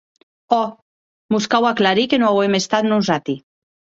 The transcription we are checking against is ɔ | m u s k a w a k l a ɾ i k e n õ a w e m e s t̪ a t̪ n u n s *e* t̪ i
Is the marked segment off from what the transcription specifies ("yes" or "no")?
yes